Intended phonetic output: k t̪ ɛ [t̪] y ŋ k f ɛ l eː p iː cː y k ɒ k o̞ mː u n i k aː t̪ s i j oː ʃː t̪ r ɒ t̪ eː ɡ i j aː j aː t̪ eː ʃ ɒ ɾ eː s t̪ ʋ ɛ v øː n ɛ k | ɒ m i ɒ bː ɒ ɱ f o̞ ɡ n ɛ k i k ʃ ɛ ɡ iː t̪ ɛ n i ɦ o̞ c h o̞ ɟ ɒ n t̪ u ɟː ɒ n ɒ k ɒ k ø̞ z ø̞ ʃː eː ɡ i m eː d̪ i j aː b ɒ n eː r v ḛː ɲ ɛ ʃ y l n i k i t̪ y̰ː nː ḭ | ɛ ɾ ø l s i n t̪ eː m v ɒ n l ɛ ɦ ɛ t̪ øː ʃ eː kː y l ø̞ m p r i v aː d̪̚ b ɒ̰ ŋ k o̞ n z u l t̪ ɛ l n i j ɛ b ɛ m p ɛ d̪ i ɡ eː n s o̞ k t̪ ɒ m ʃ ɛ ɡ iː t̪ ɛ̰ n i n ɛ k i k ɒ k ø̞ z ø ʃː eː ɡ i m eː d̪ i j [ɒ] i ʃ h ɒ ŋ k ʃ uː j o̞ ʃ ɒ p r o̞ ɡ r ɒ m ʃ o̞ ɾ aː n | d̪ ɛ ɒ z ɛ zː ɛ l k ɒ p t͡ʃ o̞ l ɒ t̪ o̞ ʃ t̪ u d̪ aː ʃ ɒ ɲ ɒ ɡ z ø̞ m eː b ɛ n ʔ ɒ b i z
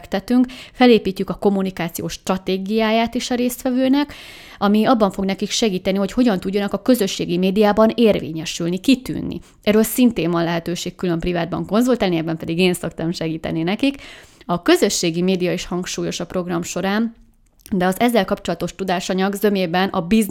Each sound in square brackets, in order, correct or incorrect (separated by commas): correct, correct